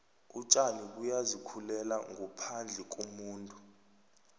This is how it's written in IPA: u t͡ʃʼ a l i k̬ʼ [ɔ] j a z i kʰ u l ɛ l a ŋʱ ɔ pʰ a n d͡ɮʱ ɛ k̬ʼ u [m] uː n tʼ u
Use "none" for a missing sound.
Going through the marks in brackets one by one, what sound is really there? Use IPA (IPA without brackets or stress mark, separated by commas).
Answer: u, m